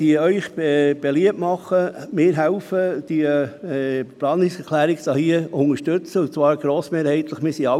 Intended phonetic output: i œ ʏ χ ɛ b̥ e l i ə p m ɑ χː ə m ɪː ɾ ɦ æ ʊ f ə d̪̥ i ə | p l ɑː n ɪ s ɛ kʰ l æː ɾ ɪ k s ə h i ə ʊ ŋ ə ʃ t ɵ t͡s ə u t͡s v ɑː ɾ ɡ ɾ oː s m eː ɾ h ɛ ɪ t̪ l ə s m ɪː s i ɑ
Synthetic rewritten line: i œ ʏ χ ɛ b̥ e l i ə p m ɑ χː ə m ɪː ɾ ɦ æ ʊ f ə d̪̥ i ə | p l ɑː n ɪ s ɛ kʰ l æː ɾ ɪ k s ɑ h i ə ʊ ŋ ə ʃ t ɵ t͡s ə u t͡s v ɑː ɾ ɡ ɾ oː s m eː ɾ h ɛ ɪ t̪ l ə χ m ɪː s i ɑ